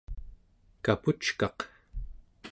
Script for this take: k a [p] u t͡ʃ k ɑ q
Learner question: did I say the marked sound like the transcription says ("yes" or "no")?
yes